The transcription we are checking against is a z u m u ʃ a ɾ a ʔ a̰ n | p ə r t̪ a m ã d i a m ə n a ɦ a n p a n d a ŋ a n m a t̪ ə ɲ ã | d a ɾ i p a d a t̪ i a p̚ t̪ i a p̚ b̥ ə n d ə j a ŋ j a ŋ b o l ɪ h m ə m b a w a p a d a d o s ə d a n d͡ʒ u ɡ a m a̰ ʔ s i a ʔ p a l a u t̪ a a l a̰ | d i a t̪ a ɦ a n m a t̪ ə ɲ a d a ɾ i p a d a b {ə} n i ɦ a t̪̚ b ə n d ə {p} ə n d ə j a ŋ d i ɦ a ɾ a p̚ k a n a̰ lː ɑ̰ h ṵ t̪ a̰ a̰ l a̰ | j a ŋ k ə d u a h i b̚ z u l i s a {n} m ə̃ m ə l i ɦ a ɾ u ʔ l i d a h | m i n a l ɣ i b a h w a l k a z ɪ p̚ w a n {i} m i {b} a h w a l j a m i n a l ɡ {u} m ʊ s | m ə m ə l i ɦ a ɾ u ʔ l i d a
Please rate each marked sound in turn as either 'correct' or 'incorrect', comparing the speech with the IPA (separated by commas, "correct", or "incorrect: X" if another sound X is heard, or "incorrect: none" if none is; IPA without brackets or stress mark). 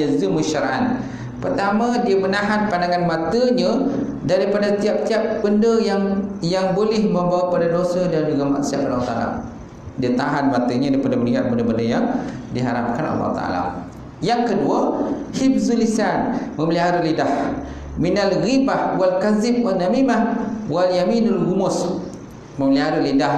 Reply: correct, incorrect: b, correct, incorrect: a, incorrect: m, correct